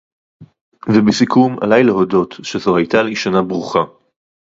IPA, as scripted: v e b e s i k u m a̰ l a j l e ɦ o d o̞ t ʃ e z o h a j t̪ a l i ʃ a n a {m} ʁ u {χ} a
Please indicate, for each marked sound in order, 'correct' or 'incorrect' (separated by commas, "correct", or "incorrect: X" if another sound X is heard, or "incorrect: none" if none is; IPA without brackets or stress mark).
incorrect: b, correct